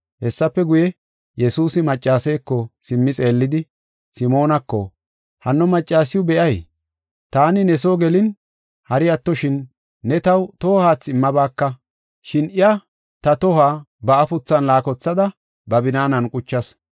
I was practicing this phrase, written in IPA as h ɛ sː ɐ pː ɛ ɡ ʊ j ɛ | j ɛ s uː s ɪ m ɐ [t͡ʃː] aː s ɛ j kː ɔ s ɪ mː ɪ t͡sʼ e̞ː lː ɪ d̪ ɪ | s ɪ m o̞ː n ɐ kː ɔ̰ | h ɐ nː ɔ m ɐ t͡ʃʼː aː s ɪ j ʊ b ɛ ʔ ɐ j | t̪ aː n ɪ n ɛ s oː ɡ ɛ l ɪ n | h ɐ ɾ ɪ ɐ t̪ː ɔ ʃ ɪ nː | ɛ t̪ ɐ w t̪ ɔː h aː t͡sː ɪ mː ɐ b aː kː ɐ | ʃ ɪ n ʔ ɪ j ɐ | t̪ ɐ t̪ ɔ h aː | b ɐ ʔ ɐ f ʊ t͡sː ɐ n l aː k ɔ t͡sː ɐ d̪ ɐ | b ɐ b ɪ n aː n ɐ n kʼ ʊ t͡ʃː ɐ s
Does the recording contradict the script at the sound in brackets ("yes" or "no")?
yes